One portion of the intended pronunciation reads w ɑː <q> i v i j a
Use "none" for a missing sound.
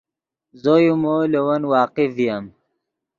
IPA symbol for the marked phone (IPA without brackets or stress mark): q